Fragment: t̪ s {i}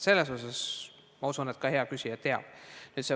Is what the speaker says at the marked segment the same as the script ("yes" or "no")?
no